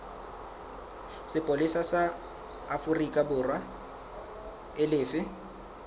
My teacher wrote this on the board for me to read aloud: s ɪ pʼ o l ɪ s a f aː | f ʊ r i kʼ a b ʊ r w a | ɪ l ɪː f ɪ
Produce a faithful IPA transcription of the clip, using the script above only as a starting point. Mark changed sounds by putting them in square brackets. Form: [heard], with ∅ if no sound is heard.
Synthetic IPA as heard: s ɪ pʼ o l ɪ s a [s] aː | f ʊ r i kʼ a b ʊ r w a | ɪ l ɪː f ɪ